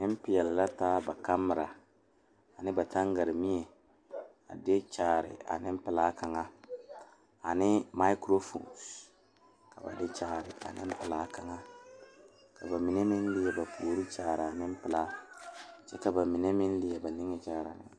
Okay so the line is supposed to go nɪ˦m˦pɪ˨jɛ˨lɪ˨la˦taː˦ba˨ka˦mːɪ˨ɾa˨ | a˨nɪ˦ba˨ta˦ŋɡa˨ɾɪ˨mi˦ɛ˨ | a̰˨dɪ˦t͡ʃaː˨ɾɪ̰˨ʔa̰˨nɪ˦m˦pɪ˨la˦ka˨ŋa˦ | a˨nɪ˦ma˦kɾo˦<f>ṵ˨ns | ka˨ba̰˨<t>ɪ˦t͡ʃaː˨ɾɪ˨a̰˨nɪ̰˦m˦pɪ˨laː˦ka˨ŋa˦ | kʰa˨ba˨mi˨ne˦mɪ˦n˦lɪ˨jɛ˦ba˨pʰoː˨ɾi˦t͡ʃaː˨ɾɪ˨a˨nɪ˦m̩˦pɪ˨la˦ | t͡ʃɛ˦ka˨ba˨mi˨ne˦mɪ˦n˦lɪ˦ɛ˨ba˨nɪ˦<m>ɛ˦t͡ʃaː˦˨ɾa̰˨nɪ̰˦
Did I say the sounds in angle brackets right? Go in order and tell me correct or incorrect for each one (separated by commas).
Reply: correct, incorrect, incorrect